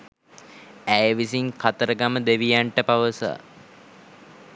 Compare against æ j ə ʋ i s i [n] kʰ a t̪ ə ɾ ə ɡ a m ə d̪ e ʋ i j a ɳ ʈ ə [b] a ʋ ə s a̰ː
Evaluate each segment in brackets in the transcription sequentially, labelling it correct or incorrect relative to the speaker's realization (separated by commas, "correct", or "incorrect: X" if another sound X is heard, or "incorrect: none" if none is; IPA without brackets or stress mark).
incorrect: ŋ, incorrect: p